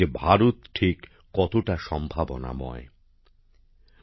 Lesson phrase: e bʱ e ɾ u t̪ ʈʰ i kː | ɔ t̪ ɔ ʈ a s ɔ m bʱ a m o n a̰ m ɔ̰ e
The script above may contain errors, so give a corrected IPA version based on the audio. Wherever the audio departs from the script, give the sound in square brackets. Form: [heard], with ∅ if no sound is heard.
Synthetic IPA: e bʱ [a] ɾ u t̪ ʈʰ i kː | ɔ t̪ [o] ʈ a [ʃ] ɔ m bʱ a [b] o n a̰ m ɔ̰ e